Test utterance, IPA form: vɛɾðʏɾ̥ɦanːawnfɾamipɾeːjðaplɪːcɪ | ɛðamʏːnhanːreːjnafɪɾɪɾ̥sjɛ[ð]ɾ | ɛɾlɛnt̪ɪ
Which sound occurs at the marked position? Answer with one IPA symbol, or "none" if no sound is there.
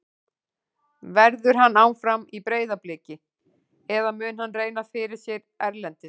none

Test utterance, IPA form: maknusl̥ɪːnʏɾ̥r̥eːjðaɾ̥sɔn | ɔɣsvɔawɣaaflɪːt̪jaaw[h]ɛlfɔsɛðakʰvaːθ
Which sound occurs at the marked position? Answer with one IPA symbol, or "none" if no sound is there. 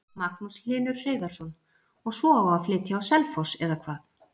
s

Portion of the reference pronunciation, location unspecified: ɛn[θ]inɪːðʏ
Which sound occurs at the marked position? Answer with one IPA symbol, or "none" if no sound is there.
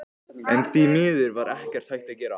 θ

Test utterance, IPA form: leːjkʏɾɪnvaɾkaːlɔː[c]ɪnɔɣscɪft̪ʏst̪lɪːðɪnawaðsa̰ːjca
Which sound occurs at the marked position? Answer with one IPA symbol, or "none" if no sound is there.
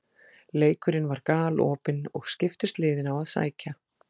p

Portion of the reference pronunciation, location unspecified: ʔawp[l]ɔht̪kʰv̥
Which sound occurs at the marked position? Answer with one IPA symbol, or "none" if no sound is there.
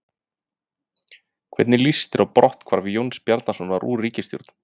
ɾ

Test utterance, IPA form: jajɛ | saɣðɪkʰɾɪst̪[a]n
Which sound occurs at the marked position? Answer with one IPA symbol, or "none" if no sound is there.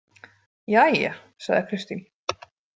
i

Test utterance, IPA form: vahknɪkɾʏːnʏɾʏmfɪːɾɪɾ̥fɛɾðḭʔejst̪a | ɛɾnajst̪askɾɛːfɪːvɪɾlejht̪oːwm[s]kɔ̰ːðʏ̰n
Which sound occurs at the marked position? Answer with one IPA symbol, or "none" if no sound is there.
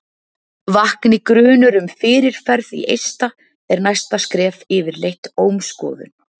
s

